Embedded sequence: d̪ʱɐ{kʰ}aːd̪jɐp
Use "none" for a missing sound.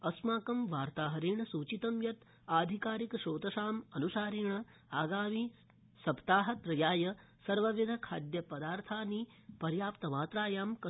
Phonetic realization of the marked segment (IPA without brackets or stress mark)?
kʰ